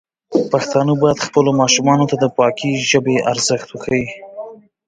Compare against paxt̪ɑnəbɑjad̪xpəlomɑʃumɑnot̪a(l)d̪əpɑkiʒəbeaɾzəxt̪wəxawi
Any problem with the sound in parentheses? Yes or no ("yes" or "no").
yes